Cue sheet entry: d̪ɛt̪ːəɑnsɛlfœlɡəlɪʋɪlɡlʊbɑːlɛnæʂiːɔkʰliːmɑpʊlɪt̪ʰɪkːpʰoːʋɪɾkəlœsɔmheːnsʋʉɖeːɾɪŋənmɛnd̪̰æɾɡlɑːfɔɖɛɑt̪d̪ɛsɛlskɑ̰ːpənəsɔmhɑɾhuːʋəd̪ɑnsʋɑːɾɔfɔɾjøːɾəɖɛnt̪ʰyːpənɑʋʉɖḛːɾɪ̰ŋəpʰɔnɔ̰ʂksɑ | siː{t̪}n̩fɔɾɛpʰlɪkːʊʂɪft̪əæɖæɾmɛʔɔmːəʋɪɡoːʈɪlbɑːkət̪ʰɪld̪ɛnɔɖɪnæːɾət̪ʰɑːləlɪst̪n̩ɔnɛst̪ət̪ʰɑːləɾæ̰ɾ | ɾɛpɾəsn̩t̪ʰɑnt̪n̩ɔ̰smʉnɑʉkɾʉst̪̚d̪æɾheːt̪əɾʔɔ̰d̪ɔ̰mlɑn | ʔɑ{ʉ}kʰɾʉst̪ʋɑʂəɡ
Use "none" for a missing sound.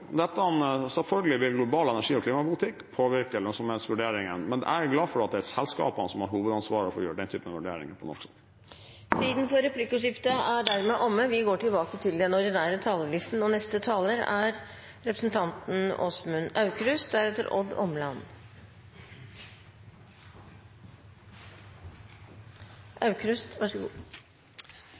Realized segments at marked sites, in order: d̪, ʉ

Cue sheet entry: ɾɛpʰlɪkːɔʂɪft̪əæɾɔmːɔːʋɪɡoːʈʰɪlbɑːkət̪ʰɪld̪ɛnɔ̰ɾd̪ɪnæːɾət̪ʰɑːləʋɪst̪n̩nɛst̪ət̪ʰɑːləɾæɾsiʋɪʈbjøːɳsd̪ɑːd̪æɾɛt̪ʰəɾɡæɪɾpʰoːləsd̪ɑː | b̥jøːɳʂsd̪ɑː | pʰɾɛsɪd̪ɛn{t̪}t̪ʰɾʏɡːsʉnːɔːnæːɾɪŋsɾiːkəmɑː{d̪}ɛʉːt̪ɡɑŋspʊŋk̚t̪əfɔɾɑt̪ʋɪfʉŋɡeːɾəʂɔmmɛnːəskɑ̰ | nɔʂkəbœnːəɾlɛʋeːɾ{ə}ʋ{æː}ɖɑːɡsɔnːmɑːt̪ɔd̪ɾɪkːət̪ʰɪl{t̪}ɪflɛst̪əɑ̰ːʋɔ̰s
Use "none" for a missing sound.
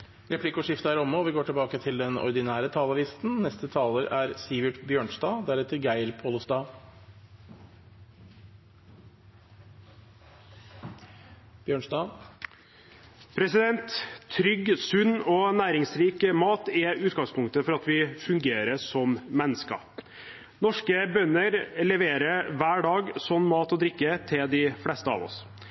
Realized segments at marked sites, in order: t̪, t̪, ə, æː, d̪

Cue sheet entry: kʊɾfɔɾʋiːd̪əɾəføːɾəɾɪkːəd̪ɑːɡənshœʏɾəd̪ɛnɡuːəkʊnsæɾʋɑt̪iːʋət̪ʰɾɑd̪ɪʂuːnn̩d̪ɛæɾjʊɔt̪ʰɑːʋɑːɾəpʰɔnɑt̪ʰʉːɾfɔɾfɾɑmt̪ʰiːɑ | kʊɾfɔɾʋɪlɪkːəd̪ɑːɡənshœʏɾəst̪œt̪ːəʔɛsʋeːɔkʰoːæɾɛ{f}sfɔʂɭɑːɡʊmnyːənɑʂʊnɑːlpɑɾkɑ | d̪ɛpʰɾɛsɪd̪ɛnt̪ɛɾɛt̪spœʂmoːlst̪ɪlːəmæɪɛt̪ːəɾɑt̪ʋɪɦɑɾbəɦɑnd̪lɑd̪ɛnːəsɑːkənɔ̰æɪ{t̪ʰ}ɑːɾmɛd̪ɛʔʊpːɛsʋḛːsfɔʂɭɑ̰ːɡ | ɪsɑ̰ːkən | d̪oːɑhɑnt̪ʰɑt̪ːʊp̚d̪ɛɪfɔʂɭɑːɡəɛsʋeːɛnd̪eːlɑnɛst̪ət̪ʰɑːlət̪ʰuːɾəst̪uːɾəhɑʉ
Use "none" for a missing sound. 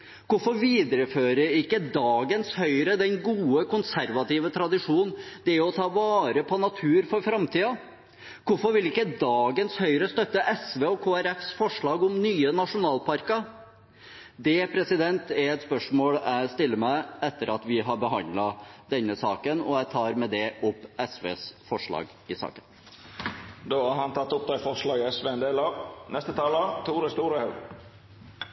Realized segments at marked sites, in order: f, t̪ʰ

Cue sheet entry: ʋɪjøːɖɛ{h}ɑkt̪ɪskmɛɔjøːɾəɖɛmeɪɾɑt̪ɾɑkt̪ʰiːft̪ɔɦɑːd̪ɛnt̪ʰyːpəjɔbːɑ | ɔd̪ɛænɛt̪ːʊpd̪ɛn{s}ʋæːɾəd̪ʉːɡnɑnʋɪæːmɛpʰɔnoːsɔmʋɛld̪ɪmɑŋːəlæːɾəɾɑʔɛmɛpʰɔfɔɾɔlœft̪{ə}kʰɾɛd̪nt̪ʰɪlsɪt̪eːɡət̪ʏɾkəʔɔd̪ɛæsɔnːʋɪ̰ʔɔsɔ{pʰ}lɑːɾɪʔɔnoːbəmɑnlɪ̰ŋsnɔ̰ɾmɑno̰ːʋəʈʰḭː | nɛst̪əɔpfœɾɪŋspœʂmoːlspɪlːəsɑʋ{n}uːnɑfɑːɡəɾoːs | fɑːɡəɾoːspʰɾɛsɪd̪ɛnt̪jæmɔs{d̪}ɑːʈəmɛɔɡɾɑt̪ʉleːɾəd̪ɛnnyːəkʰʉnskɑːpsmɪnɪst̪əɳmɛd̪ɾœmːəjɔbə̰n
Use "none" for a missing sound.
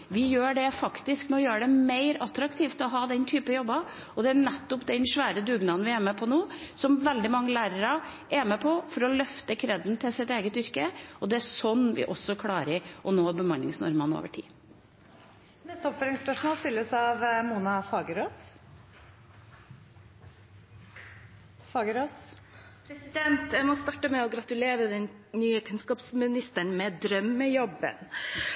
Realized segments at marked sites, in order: f, ʂ, ə, kʰ, m, t̪

